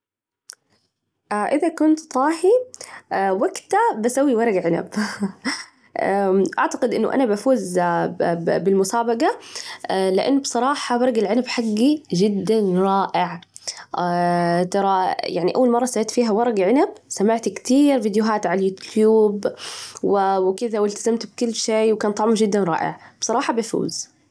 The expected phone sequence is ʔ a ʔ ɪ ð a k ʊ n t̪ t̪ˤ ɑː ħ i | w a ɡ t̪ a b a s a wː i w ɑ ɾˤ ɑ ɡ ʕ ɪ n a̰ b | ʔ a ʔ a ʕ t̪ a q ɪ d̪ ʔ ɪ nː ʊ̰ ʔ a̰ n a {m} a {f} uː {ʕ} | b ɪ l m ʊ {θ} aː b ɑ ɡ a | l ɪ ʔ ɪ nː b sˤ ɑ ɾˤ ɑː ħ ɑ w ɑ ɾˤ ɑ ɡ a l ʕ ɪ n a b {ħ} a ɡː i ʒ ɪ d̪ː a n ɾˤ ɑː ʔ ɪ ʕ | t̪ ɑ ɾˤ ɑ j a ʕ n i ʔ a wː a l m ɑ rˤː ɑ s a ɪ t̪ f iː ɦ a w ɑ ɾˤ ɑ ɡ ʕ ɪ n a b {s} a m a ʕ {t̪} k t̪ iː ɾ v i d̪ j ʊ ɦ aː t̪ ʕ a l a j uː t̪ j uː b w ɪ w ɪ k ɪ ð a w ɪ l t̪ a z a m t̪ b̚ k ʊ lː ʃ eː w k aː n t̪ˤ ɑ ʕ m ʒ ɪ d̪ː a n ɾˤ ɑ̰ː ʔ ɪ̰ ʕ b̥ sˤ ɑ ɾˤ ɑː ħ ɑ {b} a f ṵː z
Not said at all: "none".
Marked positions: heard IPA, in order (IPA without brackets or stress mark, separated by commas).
b, f, z, s, ħ, s, t̪, b